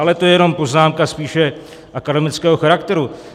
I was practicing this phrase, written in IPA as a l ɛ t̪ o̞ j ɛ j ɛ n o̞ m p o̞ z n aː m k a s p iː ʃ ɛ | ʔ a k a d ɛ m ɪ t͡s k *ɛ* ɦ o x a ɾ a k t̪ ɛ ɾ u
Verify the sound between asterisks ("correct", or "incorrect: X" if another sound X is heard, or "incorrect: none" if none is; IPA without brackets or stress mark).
incorrect: ɛː